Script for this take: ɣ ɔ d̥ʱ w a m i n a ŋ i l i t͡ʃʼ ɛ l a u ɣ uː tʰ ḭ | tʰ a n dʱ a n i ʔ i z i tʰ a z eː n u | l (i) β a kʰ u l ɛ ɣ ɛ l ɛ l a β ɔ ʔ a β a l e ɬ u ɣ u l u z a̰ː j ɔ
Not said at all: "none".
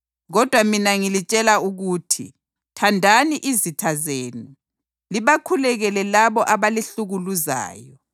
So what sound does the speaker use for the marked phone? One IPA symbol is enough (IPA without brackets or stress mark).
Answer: i